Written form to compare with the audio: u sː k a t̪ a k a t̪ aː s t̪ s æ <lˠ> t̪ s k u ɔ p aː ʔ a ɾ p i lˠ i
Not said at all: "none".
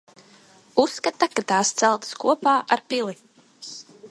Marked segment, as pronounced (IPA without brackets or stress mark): lˠ